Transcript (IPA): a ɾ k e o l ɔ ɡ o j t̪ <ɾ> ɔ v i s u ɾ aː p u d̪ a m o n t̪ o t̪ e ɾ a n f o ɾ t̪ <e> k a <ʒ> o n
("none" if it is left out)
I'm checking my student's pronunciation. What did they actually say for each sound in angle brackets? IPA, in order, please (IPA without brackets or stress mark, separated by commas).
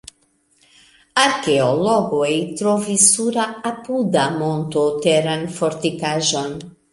ɾ, i, ʒ